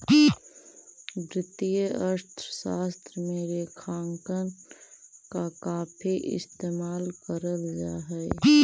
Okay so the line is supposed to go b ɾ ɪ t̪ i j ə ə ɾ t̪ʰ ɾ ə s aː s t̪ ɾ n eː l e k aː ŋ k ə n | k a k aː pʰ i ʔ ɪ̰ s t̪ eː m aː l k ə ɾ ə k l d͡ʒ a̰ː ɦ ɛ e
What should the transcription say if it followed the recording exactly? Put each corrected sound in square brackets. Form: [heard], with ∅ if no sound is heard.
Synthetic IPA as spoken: b ɾ ɪ t̪ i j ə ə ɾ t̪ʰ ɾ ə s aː s t̪ ɾ [m] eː [ɾ] e [kʰ] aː ŋ k ə n | k a k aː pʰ i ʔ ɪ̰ s t̪ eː m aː l k ə ɾ ə [∅] l d͡ʒ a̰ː ɦ ɛ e